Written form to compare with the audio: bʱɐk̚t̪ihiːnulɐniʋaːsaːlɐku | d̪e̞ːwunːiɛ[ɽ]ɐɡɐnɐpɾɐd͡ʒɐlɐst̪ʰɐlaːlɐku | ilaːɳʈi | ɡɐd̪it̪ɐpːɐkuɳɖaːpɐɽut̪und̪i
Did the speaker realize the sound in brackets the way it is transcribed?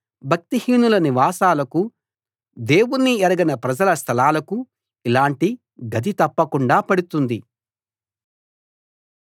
no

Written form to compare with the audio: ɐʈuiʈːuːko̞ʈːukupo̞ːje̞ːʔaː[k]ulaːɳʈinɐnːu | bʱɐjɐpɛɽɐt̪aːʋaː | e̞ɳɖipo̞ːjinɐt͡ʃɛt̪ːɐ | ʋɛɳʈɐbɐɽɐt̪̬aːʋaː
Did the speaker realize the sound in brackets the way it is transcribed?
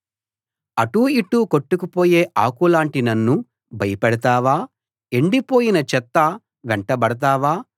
yes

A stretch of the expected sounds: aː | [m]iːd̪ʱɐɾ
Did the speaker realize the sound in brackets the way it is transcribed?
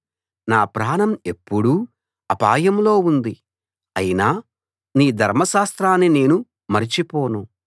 no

